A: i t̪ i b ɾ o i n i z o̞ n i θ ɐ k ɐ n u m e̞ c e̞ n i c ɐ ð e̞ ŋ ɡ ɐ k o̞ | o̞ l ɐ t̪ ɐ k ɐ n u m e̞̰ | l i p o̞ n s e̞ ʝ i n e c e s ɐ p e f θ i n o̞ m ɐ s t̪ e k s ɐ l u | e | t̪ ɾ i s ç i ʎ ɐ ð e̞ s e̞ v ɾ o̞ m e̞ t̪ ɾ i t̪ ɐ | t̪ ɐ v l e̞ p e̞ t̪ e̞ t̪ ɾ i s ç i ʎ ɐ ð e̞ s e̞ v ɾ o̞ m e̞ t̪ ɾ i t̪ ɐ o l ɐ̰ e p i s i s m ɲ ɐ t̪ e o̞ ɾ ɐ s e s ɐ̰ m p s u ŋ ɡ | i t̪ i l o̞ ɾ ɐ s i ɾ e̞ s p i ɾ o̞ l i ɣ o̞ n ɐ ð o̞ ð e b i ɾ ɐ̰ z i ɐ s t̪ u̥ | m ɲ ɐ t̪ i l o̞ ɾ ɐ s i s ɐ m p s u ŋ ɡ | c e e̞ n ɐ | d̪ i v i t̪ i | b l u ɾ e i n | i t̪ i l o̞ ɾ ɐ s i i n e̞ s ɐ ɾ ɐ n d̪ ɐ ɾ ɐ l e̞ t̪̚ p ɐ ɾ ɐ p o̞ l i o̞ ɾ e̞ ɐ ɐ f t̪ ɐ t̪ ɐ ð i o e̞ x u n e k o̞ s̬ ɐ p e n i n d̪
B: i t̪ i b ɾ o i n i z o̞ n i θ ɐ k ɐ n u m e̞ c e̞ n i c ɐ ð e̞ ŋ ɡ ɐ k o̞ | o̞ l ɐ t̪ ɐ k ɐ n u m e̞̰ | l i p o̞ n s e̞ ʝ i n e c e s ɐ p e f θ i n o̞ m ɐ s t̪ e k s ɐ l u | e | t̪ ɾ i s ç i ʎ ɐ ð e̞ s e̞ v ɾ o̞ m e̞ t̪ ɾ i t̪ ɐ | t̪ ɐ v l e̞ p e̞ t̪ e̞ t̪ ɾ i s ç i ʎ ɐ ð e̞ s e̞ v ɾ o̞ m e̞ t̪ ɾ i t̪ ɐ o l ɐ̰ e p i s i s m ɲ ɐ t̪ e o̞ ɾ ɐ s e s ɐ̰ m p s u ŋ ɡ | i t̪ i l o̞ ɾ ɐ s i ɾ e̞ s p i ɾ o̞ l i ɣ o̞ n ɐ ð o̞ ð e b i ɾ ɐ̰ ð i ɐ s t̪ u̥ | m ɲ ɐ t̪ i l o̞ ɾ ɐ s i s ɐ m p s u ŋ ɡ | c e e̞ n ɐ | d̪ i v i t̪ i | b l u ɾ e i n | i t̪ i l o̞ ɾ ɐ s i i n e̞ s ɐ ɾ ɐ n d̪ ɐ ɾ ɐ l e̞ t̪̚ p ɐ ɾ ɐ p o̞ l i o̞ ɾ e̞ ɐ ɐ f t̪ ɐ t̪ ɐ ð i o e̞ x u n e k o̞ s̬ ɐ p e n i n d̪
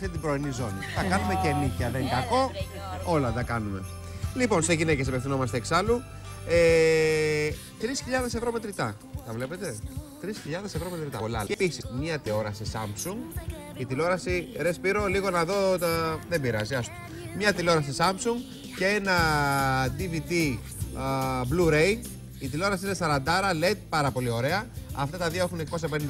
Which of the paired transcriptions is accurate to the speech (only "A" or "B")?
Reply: A